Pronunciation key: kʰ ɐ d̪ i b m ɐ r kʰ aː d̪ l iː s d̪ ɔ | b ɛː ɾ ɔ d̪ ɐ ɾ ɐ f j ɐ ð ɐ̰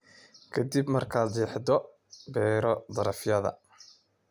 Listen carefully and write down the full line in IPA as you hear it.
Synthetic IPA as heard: kʰ ɐ d̪ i b m ɐ r kʰ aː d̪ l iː ħ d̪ ɔ | b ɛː ɾ ɔ d̪ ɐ ɾ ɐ f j ɐ ð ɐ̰